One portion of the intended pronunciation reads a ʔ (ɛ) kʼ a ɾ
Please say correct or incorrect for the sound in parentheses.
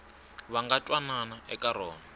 correct